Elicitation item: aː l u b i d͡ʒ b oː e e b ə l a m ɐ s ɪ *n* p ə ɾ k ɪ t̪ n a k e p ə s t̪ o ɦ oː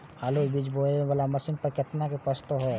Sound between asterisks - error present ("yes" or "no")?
no